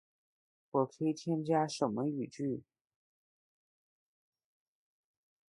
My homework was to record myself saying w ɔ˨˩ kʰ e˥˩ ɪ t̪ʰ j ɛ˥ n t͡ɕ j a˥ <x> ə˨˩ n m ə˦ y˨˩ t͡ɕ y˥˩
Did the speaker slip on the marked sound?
yes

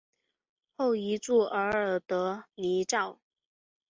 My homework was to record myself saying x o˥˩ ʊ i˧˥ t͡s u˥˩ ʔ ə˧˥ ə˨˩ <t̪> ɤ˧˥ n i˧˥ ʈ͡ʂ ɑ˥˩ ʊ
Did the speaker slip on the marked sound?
no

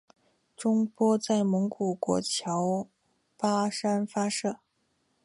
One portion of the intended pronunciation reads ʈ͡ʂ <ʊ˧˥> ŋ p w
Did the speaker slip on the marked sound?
yes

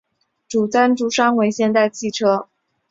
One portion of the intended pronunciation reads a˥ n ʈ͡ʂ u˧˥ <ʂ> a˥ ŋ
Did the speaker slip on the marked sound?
no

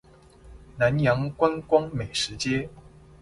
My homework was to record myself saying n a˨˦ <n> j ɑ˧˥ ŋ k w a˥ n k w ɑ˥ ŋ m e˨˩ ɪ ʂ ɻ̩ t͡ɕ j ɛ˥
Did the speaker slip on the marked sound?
no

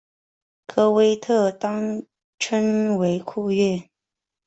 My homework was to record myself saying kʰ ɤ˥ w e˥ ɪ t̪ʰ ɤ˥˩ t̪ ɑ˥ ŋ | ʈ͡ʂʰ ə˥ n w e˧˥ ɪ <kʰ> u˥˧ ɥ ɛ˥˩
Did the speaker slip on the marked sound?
no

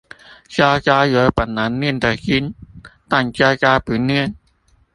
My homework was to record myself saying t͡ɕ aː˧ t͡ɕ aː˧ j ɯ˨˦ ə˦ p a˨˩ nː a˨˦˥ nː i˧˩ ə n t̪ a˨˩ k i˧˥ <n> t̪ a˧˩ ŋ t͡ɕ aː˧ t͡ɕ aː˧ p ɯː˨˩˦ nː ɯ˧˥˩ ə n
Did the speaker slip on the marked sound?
no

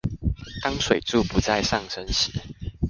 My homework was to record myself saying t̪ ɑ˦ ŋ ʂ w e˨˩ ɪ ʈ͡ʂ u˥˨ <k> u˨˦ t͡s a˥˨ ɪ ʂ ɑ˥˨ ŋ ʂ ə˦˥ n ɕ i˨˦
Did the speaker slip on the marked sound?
yes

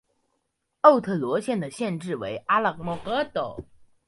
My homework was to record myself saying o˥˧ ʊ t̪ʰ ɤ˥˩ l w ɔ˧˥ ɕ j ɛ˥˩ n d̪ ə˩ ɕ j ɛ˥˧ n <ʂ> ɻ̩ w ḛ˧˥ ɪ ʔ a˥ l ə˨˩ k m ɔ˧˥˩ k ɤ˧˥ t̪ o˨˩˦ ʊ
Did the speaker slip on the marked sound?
yes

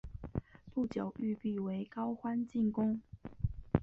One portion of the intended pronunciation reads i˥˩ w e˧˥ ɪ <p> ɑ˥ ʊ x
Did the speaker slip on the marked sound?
yes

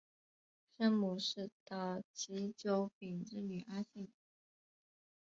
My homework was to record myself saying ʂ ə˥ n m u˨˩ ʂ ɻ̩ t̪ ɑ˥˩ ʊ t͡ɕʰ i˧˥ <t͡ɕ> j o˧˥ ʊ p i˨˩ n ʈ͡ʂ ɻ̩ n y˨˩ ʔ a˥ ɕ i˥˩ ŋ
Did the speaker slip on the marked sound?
no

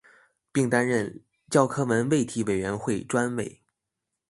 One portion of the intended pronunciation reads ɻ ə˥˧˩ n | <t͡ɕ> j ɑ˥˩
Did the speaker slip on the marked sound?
no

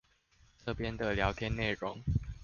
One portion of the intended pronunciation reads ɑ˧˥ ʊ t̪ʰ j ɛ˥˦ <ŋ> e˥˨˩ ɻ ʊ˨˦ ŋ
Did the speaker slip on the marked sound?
yes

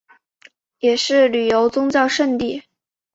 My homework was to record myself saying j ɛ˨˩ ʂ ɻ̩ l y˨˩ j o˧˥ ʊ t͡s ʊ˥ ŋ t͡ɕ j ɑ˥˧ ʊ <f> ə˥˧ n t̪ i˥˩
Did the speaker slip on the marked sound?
yes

